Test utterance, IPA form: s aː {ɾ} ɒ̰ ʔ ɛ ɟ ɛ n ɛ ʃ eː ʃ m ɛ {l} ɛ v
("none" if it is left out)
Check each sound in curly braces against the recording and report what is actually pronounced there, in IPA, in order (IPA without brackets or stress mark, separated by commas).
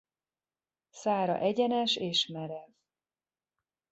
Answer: ɾ, ɾ